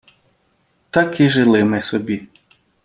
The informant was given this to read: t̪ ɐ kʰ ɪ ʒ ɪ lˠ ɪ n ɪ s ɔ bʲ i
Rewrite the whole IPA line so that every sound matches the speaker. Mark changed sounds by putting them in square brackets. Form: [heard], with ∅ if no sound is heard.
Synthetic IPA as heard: t̪ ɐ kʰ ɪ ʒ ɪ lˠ ɪ [m] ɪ s ɔ bʲ i